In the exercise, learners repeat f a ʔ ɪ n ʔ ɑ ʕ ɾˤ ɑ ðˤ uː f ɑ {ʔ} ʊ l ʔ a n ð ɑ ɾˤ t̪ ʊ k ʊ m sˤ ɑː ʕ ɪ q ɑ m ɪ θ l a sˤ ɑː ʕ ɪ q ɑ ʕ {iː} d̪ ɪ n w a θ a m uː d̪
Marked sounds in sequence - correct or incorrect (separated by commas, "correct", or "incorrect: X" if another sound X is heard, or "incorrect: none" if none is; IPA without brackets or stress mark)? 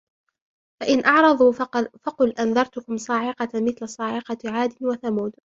incorrect: q, incorrect: aː